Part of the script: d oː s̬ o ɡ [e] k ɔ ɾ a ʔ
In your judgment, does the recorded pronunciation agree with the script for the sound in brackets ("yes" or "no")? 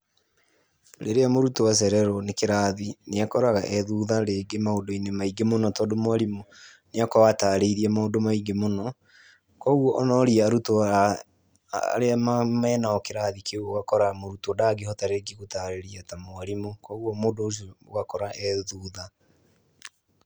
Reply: no